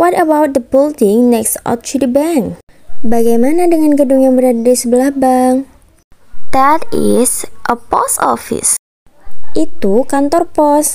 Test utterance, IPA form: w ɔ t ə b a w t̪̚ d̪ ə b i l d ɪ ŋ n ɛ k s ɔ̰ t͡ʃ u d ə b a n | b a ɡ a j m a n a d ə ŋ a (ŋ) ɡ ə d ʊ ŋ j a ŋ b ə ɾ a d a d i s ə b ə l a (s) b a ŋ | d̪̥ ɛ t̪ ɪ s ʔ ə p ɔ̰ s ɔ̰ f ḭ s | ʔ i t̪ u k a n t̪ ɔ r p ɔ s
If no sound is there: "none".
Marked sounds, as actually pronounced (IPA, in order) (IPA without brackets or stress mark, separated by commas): n, h